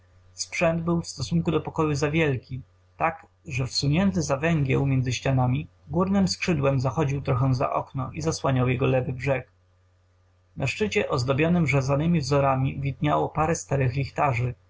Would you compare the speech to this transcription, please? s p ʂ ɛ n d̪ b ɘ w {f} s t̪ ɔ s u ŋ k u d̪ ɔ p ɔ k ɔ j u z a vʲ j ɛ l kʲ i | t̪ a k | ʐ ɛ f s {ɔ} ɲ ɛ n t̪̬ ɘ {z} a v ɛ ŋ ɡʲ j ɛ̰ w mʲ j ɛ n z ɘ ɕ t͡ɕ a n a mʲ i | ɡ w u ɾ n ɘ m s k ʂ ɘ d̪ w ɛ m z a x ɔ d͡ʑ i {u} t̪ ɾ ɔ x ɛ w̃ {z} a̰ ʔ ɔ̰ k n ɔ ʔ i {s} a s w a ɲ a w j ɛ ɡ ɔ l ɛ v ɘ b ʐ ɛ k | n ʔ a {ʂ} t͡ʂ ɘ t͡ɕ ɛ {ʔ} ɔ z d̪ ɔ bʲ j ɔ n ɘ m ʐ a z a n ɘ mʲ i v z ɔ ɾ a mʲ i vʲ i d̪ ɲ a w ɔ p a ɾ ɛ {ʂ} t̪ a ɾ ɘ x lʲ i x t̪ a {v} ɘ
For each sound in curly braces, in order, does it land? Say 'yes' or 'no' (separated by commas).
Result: yes, no, yes, no, yes, no, yes, yes, no, no